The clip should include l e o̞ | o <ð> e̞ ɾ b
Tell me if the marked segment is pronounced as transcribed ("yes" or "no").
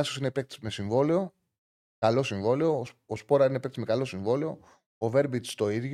no